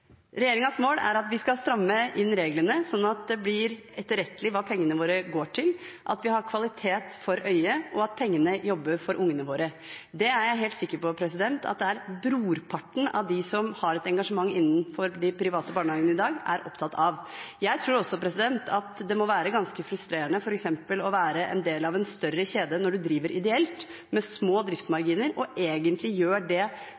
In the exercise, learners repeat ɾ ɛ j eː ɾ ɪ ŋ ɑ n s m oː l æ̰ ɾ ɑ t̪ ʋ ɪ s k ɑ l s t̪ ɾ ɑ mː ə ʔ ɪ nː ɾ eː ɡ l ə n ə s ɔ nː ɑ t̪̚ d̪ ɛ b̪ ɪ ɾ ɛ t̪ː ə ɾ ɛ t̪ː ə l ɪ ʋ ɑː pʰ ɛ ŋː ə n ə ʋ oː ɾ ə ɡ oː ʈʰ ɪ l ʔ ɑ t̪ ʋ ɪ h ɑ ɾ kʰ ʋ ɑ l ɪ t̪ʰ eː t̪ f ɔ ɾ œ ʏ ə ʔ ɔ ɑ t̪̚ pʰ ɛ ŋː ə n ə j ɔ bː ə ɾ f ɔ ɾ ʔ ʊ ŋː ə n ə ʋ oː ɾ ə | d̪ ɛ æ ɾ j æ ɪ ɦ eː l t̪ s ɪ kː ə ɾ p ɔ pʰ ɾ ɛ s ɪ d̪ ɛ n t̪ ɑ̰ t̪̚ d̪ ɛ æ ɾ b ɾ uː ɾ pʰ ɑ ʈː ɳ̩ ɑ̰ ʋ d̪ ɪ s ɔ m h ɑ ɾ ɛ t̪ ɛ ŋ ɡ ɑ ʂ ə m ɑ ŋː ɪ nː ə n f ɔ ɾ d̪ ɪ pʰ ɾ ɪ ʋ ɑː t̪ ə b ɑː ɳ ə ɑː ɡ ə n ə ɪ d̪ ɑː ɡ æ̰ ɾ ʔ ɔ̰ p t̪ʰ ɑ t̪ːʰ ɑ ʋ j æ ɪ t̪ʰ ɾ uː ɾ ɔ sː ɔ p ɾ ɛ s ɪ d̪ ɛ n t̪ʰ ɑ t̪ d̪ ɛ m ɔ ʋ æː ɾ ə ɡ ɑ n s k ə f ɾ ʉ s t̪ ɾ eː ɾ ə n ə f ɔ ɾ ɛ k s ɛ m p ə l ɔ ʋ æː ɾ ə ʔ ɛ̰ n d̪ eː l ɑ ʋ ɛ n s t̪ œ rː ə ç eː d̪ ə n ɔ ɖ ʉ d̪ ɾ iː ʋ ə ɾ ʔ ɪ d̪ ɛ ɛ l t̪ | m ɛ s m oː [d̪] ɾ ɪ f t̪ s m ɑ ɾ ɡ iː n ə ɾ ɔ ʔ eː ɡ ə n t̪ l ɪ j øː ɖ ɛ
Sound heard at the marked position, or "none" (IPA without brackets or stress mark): d̪